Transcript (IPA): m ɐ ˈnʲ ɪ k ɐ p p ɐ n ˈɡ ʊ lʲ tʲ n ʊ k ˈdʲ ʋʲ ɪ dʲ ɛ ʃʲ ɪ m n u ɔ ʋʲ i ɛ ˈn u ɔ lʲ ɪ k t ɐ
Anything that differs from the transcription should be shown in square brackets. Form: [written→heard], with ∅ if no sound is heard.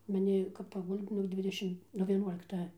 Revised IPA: m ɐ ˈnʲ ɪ k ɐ p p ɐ [n→∅] ˈɡ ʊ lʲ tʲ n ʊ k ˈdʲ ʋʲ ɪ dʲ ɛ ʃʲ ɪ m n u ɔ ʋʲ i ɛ ˈn u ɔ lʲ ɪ k t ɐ